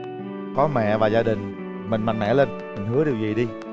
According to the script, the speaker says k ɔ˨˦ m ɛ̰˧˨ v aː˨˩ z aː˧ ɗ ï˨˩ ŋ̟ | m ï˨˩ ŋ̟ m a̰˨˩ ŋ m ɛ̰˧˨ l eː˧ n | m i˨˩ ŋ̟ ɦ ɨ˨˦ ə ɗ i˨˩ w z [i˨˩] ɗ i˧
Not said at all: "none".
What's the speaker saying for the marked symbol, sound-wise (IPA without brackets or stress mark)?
i˨˩